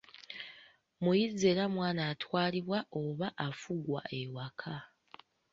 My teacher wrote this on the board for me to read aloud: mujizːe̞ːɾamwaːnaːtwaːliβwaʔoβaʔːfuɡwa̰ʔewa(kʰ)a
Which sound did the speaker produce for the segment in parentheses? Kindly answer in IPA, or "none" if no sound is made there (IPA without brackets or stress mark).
kʰ